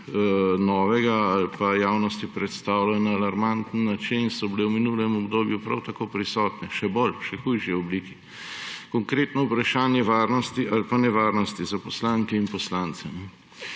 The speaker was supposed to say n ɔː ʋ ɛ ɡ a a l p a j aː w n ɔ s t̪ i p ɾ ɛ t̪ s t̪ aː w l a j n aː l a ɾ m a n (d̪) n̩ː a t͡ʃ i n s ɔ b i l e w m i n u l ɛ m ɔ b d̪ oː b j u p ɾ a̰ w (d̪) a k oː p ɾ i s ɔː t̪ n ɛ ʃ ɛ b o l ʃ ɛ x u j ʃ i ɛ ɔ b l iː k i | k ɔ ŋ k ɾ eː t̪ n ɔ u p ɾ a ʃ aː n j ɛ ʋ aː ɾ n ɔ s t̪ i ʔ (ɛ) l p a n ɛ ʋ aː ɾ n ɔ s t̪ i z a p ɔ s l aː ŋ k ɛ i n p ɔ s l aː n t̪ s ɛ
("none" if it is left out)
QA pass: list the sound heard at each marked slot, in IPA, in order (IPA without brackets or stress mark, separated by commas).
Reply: t̪, t̪, a